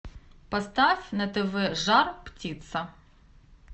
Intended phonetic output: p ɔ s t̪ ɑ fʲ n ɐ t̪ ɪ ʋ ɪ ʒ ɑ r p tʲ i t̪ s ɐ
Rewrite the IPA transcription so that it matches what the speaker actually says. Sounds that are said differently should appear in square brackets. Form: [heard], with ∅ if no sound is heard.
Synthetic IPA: p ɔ s t̪ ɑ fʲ n ɐ t̪ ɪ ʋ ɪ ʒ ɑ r p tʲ i t̪ s ɐ